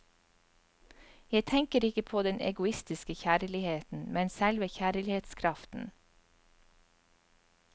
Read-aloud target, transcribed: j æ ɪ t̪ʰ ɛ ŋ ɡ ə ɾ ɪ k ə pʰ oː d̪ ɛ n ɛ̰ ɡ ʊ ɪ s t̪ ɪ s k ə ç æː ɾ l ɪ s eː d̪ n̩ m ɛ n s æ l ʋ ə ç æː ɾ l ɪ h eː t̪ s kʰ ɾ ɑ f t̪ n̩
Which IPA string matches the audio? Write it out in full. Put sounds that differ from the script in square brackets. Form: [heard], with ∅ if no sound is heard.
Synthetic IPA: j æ ɪ t̪ʰ ɛ ŋ [k] ə ɾ ɪ k ə pʰ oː d̪ ɛ n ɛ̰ ɡ ʊ ɪ s t̪ ɪ s k ə ç æː ɾ l ɪ [h] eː [t̪] n̩ m ɛ n s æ l ʋ ə ç æː ɾ l ɪ h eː t̪ s kʰ ɾ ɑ f t̪ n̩